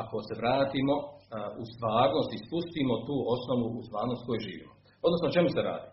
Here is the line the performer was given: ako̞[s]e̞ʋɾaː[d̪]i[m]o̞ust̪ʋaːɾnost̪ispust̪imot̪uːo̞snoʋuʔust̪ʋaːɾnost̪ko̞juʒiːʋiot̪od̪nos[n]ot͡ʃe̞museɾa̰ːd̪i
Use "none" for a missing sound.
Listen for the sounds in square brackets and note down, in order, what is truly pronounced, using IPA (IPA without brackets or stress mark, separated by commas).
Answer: s, t̪, m, n